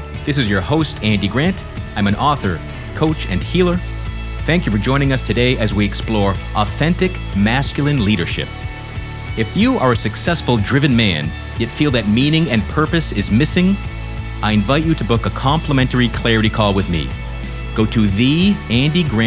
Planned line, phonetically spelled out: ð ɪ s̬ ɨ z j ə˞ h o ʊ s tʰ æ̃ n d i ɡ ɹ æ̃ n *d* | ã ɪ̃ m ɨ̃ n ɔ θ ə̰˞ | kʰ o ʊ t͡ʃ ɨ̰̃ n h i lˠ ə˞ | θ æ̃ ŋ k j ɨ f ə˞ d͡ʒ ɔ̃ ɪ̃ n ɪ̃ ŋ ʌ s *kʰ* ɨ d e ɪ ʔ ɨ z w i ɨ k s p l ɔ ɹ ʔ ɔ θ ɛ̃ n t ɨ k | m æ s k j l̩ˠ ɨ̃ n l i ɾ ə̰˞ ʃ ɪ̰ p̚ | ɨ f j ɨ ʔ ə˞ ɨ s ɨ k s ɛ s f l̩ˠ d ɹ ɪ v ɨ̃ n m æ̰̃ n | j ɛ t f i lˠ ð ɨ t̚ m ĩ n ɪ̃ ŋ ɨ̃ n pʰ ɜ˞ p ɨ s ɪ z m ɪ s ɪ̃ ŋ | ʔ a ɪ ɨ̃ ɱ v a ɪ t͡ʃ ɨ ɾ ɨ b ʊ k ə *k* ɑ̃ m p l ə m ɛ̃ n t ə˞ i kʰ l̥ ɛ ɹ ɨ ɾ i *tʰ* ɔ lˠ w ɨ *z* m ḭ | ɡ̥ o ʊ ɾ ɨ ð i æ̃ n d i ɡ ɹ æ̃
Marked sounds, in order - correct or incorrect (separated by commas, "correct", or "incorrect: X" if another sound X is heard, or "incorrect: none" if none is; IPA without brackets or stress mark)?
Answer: incorrect: t, incorrect: tʰ, incorrect: kʰ, incorrect: kʰ, incorrect: ð